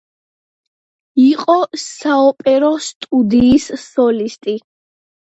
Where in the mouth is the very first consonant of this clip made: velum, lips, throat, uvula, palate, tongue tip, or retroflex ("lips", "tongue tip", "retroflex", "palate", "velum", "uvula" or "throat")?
uvula